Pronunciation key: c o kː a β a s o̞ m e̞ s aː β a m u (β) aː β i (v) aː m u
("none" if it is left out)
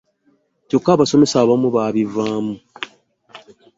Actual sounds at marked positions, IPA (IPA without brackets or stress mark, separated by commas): β, v